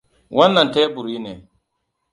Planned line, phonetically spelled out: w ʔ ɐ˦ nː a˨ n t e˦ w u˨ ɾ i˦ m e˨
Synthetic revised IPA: w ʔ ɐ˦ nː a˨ n t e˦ b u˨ ɾ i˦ n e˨